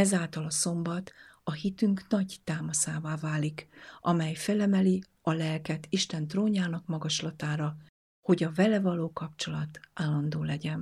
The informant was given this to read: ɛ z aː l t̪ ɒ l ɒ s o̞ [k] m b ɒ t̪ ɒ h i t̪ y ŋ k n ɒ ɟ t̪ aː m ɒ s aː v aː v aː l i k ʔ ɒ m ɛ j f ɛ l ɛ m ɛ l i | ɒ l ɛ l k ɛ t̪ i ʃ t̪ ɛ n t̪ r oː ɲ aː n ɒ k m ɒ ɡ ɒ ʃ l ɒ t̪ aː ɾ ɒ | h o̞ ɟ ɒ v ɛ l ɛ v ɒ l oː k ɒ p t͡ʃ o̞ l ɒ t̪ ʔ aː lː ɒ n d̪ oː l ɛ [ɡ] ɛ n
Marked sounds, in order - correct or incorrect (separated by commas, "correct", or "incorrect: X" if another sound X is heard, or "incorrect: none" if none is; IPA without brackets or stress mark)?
incorrect: none, incorrect: ɟ